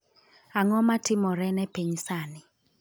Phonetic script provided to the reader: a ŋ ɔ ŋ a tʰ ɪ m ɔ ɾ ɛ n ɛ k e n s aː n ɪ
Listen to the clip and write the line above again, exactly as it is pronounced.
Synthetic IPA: a ŋ ɔ m a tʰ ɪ m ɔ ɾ ɛ n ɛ p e ɲ s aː n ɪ